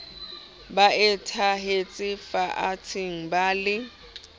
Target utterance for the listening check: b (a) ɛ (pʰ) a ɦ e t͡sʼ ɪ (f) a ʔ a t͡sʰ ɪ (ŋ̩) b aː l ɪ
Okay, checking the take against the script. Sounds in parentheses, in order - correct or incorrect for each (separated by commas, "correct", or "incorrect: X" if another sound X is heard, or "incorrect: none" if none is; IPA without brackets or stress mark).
correct, incorrect: tʰ, correct, correct